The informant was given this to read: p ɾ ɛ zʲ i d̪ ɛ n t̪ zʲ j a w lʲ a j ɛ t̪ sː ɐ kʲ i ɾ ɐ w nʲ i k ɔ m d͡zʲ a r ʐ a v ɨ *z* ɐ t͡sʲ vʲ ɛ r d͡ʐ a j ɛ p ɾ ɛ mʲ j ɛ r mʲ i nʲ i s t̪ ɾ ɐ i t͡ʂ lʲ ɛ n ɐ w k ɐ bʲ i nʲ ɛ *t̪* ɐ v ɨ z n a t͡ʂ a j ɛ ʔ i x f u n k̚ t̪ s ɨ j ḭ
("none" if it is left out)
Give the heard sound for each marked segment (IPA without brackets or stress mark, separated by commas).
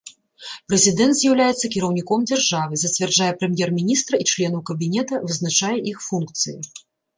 z, t̪